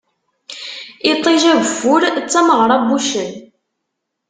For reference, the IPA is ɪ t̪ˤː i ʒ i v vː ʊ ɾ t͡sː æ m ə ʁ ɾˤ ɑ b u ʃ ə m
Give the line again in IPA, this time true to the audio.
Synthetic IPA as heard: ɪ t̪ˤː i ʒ æ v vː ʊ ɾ t͡sː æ m ə ʁ ɾˤ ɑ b u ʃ ə n